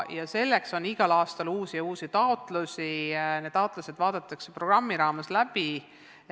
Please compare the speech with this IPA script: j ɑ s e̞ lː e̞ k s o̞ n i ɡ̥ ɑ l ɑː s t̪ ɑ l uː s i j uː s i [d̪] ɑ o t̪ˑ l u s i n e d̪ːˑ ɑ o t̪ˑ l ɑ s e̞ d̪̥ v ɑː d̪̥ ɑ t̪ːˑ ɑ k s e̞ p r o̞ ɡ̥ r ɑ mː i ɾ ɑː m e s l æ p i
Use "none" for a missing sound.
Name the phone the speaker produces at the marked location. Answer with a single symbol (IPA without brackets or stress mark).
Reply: t̪